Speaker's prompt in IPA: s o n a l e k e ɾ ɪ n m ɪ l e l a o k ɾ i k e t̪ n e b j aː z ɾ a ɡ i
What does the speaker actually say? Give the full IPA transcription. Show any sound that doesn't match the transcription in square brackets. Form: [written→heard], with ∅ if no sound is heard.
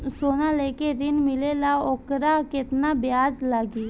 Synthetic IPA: s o n a l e k e ɾ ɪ n m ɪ l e l a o k ɾ [i→a] k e t̪ n [e→a] b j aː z [ɾ→l] a ɡ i